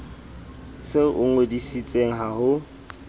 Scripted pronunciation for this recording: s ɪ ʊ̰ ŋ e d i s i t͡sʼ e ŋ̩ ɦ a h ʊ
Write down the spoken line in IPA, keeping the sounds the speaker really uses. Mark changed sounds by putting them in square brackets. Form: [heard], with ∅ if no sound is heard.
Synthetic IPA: s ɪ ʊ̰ ŋ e d i s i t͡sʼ e ŋ̩ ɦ a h ʊ